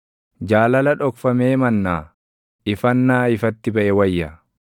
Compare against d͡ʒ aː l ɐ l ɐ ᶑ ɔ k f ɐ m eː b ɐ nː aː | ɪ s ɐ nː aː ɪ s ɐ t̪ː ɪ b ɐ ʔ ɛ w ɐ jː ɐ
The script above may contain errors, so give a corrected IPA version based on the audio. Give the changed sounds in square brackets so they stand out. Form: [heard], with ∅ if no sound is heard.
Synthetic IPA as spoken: d͡ʒ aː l ɐ l ɐ ᶑ ɔ k f ɐ m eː [m] ɐ nː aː | ɪ [f] ɐ nː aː ɪ [f] ɐ t̪ː ɪ b ɐ ʔ ɛ w ɐ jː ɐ